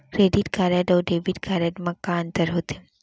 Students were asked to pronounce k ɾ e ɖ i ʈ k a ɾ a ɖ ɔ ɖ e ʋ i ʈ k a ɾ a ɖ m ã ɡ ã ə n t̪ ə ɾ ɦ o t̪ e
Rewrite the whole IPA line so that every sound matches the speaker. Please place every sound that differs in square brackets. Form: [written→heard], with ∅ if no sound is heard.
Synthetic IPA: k ɾ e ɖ i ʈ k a ɾ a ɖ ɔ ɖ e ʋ i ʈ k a ɾ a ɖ m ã [ɡ→k] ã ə n t̪ ə ɾ ɦ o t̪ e